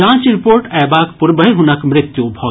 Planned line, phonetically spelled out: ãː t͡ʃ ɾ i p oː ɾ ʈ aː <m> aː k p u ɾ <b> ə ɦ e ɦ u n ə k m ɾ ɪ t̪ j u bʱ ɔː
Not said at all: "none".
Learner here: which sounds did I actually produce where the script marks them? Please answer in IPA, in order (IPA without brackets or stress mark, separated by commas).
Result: b, b